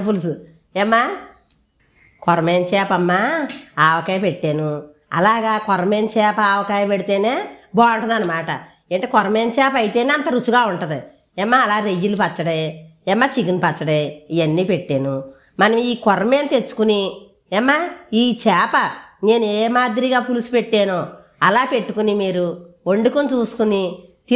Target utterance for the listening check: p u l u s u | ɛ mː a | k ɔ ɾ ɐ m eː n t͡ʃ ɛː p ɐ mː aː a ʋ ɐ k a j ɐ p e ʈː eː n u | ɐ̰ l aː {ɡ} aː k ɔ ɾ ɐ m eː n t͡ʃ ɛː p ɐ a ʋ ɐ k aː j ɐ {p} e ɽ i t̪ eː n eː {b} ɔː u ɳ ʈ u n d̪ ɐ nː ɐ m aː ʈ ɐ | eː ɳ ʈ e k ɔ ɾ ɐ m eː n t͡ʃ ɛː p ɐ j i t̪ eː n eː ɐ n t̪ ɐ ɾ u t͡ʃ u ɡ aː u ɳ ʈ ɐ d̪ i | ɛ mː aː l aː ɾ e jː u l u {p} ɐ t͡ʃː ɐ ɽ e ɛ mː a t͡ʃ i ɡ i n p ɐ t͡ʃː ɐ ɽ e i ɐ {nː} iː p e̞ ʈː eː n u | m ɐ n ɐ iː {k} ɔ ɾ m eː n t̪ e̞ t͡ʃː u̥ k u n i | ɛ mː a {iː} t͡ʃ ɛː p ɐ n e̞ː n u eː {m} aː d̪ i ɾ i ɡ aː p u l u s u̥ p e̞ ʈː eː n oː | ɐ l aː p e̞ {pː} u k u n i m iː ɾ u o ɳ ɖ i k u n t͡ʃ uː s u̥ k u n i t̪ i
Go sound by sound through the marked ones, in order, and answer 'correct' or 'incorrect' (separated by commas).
correct, correct, correct, correct, correct, correct, correct, correct, incorrect